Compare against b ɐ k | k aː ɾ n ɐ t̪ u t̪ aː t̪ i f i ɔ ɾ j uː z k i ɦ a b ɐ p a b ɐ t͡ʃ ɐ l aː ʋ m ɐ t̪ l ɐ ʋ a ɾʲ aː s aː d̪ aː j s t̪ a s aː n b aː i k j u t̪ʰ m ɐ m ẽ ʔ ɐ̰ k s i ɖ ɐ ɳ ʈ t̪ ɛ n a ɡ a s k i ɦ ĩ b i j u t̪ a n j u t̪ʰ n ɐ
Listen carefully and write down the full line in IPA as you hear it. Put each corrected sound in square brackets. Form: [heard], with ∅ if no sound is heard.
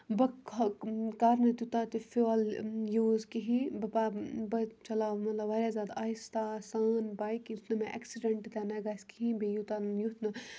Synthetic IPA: b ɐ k | k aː ɾ n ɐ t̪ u t̪ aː t̪ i f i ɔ [l] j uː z k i ɦ [i] b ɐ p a b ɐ t͡ʃ ɐ l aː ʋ m ɐ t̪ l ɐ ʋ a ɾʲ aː [z] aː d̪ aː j s t̪ a s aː n b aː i k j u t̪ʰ [n] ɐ m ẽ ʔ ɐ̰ k s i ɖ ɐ ɳ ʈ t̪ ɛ n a ɡ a s k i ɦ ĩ b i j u t̪ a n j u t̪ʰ n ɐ